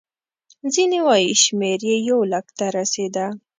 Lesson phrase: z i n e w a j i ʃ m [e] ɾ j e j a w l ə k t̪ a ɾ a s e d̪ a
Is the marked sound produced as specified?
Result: yes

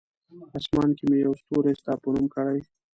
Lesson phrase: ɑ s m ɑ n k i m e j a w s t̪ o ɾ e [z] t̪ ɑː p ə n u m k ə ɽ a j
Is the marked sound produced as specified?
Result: no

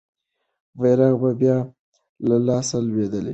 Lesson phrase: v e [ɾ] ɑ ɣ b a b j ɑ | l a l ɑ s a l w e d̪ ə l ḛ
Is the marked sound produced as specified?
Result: yes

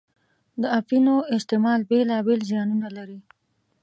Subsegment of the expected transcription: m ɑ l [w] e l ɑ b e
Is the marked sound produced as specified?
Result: no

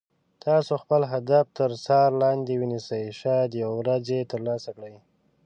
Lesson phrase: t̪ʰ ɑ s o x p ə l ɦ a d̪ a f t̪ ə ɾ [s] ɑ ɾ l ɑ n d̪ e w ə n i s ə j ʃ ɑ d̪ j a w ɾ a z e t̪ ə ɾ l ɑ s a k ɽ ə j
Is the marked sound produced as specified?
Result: yes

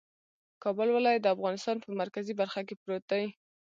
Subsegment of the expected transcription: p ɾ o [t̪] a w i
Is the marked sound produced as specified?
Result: yes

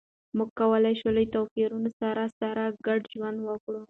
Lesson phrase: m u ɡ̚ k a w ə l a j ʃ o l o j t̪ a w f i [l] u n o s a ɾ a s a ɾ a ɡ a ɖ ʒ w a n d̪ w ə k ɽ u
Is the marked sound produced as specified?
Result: no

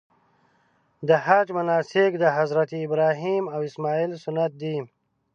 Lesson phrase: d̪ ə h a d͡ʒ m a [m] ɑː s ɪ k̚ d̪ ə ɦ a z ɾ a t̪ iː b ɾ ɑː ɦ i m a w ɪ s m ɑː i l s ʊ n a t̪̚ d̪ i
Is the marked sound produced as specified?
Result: no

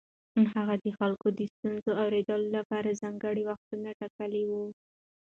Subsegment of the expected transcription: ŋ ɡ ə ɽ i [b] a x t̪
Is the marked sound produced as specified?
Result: no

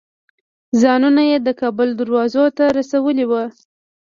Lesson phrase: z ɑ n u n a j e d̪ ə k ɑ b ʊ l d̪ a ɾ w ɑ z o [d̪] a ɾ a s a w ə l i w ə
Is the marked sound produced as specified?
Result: no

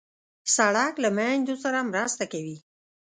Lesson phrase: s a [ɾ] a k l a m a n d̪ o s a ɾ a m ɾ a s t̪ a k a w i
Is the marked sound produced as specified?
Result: no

